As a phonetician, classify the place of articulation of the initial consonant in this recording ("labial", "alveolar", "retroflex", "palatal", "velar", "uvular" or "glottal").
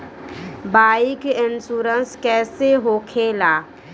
labial